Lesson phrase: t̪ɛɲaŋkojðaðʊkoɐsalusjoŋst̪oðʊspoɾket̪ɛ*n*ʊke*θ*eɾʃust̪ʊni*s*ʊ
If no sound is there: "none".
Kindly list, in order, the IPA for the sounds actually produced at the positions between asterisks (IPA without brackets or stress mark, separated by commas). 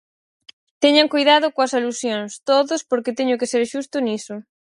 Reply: ɲ, s, s